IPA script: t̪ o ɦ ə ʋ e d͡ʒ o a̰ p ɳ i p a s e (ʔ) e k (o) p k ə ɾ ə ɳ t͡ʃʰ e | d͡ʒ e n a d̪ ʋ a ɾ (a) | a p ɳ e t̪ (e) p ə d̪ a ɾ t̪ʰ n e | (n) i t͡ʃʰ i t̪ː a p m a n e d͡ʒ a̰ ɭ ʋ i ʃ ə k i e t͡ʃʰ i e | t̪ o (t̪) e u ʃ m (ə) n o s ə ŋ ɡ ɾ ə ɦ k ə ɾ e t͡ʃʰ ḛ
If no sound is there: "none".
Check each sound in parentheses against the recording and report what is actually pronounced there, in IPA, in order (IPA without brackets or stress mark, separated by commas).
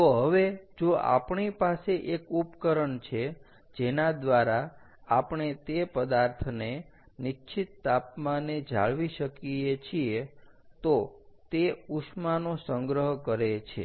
ʔ, u, a, e, n, t̪, a